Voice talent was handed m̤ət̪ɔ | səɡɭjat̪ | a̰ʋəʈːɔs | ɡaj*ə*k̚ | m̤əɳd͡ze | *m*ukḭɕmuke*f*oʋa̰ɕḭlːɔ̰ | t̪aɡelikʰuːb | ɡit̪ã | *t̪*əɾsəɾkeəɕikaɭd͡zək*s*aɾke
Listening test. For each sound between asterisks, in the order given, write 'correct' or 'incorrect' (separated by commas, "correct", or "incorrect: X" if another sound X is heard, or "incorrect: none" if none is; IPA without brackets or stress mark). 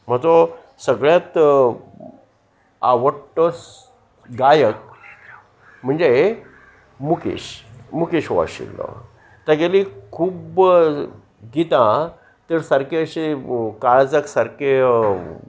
correct, correct, incorrect: ɕ, correct, correct